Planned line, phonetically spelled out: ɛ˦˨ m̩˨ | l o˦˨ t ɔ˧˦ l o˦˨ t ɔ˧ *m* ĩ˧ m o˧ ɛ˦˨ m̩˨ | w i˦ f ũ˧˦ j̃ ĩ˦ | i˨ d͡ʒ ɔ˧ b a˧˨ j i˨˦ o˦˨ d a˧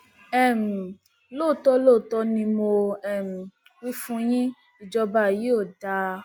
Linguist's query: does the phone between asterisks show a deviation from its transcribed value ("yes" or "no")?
yes